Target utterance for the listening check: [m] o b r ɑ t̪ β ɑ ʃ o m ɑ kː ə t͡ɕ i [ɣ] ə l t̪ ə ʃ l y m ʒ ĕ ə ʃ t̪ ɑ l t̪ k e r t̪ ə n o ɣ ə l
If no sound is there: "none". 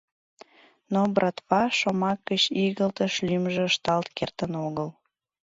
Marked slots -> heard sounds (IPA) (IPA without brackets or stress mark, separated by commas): n, ɣ